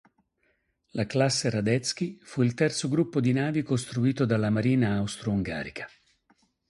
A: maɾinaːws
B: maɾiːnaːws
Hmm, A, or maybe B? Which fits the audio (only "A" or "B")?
B